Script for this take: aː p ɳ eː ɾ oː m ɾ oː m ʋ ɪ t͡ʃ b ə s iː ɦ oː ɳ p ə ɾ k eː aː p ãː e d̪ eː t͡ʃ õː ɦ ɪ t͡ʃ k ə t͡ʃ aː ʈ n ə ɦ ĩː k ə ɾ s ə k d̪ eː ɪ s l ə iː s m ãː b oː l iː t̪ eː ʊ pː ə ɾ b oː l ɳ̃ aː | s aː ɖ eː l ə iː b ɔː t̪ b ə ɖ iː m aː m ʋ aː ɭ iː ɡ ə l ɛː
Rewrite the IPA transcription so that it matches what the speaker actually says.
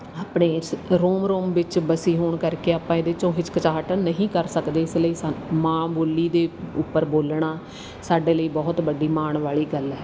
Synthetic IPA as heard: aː p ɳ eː ɾ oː m ɾ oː m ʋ ɪ t͡ʃ b ə s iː ɦ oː ɳ k ə ɾ k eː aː p ãː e d̪ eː t͡ʃ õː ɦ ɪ t͡ʃ k ə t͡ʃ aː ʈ n ə ɦ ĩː k ə ɾ s ə k d̪ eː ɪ s l ə iː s m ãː b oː l iː d̪ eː ʊ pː ə ɾ b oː l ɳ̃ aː | s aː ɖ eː l ə iː b ɔː t̪ b ə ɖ iː m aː ɳ ʋ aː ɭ iː ɡ ə l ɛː